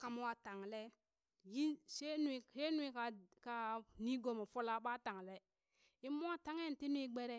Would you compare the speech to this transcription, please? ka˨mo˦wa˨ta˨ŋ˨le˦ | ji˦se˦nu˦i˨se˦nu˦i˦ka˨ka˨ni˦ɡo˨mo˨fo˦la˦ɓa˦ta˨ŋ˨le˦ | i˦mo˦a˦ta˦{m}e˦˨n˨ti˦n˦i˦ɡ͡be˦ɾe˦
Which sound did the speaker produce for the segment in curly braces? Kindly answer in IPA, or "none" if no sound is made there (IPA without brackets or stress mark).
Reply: ŋ